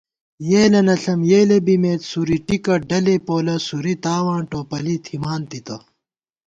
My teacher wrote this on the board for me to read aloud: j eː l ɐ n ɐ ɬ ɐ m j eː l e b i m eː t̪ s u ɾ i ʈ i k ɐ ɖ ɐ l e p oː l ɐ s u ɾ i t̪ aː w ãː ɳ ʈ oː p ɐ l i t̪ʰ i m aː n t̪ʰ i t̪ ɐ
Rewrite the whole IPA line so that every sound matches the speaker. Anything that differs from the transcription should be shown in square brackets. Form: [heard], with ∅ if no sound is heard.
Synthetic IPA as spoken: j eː l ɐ n ɐ ɬ ɐ m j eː l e b i m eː t̪ s u ɾ i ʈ i k ɐ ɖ ɐ l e p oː l ɐ s u ɾ i t̪ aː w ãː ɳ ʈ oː p ɐ l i t̪ʰ i m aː n [t̪] i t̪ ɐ